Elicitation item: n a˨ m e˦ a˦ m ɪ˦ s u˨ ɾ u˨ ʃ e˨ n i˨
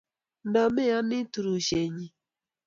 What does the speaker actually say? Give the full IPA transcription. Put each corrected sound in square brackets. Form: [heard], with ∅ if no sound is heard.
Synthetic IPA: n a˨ m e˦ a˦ [n] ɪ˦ [t] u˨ ɾ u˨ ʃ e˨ [ɲ] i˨